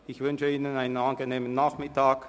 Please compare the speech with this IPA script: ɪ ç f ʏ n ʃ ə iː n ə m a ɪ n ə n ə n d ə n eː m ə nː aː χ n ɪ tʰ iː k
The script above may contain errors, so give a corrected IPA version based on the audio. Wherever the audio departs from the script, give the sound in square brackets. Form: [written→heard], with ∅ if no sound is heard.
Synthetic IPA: ɪ ç [f→v] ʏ n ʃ ə iː n ə [m→n] a ɪ n ə n [ə→a] n [d→ɡ] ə n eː m ə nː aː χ [n→m] ɪ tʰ [iː→aː] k